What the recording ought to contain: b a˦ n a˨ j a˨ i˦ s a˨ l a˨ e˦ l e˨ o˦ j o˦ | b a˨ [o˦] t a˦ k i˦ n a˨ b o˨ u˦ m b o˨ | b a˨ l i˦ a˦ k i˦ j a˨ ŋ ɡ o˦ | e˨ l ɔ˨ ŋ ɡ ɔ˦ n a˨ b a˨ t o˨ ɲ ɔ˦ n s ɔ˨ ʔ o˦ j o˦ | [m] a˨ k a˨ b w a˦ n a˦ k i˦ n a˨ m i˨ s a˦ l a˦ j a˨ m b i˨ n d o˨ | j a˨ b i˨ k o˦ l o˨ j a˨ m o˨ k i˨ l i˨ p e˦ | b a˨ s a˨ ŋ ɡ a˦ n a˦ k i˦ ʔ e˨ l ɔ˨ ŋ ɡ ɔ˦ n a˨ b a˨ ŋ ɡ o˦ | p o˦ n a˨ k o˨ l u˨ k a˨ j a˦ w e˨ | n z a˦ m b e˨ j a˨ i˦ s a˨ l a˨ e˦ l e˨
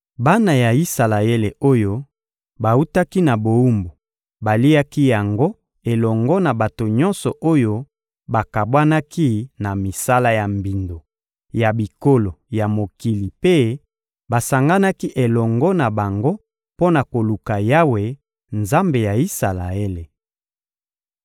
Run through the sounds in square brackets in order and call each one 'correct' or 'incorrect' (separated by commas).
incorrect, incorrect